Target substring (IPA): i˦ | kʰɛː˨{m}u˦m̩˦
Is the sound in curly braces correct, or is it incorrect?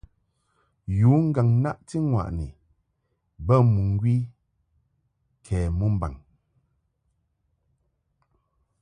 correct